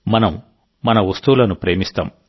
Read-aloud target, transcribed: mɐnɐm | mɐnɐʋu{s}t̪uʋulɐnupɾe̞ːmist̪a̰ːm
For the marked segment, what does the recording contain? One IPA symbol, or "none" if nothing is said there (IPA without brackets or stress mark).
s